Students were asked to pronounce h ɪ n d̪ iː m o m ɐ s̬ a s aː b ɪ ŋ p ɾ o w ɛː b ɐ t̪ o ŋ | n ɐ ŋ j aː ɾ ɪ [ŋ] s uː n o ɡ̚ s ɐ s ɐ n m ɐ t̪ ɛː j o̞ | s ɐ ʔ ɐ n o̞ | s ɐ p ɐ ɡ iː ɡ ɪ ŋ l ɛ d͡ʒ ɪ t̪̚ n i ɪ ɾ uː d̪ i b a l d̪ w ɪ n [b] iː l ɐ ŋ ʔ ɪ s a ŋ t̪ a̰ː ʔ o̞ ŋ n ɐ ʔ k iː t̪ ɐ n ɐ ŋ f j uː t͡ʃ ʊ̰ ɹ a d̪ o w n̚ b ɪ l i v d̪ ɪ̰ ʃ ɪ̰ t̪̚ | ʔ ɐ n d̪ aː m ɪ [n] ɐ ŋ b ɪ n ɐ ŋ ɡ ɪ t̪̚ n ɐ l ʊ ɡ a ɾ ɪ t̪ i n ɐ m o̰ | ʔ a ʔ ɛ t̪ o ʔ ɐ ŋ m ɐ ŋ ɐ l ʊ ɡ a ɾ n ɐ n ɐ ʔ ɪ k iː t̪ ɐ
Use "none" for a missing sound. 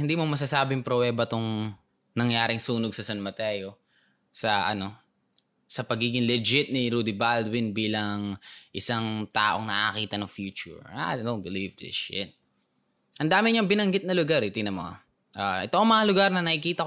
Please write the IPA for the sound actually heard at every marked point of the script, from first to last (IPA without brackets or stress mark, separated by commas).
ŋ, b, ɲ